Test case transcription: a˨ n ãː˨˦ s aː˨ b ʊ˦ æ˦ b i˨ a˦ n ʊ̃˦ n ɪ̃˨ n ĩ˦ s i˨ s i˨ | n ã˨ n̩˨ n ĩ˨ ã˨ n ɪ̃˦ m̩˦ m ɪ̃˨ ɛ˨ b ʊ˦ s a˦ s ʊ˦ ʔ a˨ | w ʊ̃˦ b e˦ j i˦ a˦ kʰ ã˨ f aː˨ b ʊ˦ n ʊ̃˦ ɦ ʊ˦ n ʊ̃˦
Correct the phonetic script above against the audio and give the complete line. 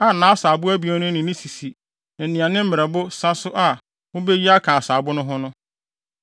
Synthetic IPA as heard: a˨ n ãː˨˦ s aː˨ b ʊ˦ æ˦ b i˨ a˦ n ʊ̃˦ n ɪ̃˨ n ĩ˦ s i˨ s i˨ | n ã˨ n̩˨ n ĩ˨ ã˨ n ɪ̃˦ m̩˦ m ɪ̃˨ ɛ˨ b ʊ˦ s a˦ s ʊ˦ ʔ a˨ | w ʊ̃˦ b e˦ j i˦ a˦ kʰ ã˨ s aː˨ b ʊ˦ n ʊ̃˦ ɦ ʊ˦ n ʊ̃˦